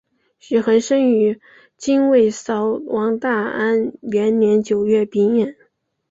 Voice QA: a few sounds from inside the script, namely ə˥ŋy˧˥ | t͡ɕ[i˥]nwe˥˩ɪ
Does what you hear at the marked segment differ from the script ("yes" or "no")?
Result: no